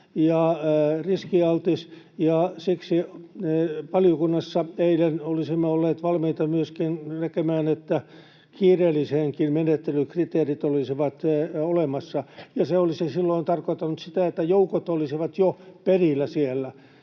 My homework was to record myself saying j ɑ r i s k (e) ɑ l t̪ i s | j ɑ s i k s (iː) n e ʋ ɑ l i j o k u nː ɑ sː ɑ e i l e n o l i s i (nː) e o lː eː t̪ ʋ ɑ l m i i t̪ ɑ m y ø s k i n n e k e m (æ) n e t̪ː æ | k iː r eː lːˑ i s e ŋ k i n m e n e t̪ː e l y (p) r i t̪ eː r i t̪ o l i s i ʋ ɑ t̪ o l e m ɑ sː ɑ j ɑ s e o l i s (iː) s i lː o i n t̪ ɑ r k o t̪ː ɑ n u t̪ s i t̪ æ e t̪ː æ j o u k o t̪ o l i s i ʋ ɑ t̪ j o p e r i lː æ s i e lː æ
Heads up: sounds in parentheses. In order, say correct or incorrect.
incorrect, incorrect, incorrect, incorrect, incorrect, incorrect

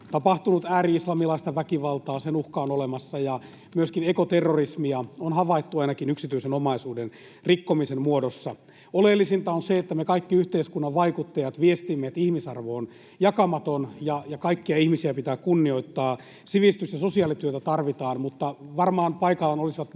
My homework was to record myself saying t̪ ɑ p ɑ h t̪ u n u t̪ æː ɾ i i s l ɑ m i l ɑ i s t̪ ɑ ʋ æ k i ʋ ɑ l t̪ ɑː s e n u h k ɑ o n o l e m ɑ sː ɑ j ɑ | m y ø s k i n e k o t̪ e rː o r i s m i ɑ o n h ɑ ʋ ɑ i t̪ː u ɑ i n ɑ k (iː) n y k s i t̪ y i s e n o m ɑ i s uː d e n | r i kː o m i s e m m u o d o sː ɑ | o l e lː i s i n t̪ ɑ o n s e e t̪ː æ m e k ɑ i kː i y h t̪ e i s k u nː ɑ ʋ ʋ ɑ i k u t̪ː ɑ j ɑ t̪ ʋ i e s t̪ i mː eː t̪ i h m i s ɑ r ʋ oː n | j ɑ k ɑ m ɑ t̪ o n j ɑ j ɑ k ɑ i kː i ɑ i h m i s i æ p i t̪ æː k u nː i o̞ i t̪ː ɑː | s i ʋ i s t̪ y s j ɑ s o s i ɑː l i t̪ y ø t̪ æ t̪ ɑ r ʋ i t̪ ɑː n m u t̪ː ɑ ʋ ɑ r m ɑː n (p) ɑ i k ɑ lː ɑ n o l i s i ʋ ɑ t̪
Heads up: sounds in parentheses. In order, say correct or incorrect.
incorrect, correct

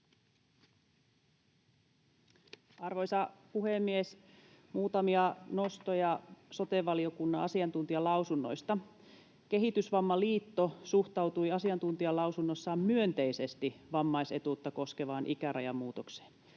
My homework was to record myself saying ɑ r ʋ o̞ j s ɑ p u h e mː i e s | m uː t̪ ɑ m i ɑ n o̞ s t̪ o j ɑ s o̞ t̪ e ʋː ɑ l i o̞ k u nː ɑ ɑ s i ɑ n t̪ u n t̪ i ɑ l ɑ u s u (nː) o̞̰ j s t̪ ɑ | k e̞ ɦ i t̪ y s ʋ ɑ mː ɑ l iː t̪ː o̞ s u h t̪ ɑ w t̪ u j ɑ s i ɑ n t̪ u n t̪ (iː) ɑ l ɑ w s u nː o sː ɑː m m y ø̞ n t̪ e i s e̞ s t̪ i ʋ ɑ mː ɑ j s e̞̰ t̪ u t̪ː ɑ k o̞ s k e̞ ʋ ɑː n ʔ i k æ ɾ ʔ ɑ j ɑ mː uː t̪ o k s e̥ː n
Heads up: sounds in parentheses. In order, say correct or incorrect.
correct, incorrect

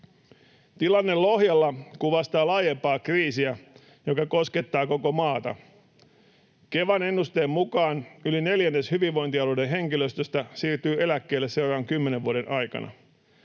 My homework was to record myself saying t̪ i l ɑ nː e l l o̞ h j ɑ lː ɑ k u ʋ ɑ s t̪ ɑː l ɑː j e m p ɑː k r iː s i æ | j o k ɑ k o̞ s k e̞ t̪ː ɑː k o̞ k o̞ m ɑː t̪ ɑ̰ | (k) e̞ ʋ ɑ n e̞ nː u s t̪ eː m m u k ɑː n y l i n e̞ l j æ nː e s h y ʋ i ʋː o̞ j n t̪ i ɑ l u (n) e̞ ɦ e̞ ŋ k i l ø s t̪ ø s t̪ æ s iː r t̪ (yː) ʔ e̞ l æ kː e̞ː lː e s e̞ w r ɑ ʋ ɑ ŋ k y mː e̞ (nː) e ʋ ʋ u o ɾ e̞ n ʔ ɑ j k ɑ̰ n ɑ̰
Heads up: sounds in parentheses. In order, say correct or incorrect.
correct, incorrect, correct, incorrect

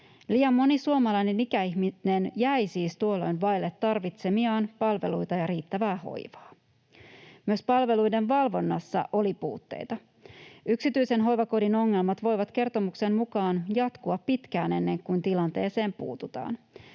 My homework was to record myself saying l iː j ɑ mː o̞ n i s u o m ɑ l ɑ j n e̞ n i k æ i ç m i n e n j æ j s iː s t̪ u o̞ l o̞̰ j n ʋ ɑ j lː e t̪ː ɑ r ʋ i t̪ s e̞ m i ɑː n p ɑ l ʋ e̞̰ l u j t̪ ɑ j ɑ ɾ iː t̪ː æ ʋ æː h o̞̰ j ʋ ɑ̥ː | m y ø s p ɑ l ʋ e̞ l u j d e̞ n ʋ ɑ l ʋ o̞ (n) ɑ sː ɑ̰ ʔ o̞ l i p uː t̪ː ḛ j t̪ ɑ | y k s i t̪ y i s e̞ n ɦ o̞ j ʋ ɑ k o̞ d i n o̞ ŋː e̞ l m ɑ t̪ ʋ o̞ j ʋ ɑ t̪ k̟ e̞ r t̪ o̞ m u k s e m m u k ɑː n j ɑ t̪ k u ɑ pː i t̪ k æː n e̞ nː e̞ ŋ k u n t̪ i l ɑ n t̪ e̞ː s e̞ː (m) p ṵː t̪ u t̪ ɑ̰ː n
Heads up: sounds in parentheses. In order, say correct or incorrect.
incorrect, correct

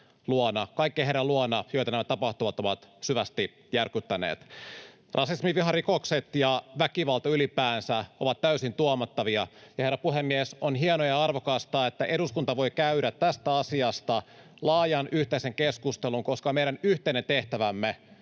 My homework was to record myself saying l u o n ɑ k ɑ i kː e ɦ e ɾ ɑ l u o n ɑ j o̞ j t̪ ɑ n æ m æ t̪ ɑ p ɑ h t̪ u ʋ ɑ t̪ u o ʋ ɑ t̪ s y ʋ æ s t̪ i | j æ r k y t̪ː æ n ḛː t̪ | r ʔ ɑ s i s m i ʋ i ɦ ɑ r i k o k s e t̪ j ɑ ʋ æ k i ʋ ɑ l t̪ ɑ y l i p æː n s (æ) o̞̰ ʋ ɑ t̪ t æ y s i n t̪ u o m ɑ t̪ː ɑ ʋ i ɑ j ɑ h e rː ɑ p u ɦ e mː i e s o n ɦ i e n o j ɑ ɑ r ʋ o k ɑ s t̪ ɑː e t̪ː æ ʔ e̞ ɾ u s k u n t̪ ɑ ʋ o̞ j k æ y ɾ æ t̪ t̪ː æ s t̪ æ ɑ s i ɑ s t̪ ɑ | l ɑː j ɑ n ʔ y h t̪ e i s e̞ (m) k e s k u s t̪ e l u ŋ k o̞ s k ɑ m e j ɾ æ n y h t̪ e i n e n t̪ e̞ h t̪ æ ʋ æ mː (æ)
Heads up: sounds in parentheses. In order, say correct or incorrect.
correct, incorrect, incorrect

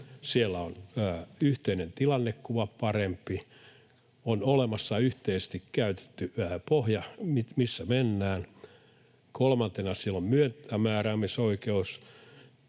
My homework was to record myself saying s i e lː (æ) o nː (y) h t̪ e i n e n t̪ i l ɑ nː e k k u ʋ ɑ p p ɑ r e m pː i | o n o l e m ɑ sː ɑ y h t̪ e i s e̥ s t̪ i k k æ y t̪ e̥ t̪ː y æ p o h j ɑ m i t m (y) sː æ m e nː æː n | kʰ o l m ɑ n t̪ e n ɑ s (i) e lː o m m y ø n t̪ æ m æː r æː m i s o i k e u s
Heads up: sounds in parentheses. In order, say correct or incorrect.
correct, correct, incorrect, correct

